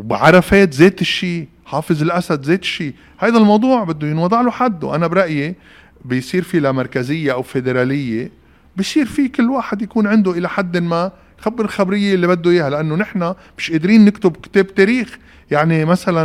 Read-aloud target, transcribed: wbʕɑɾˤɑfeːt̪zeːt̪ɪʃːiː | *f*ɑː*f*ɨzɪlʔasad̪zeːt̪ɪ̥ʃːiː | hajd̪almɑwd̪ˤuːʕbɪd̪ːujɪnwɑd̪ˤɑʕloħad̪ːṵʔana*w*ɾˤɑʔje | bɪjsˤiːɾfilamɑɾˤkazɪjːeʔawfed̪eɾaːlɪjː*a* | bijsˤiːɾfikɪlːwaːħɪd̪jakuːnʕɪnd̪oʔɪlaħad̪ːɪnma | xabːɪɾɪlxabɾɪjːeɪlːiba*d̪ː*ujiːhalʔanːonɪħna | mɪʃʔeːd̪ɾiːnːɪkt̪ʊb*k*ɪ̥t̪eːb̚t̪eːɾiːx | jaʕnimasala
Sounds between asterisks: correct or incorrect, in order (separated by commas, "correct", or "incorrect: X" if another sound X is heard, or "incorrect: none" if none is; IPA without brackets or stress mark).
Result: incorrect: ħ, correct, incorrect: b, incorrect: e, correct, correct